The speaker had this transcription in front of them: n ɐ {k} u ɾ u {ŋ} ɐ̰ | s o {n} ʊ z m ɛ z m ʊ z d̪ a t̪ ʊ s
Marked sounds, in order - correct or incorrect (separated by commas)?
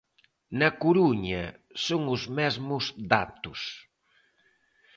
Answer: correct, incorrect, incorrect